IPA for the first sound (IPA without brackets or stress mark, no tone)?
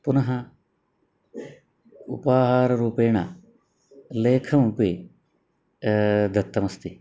p